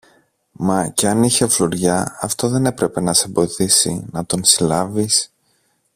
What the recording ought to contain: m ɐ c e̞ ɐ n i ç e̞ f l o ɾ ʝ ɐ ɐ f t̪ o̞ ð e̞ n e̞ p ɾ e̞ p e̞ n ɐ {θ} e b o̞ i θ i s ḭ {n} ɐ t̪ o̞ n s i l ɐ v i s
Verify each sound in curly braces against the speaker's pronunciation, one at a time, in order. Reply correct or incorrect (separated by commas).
incorrect, correct